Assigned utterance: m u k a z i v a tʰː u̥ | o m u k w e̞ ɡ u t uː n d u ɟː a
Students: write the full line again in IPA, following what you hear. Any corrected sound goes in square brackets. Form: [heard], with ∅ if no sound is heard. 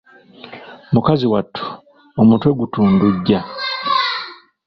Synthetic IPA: m u k a z i [w] a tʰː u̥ | o m u [t] w e̞ ɡ u t uː n d u ɟː a